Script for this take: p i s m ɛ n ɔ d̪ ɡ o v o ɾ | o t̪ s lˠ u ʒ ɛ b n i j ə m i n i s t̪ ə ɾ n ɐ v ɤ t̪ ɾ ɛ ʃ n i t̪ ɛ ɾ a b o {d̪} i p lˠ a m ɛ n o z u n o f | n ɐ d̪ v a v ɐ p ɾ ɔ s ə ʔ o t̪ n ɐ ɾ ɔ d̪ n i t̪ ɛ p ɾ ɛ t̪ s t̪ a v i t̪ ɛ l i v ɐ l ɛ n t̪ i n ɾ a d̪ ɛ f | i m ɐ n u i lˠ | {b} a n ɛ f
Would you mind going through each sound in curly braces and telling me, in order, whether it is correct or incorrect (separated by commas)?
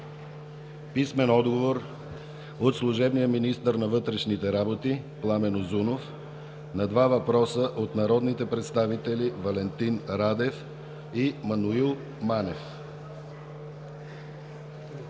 incorrect, incorrect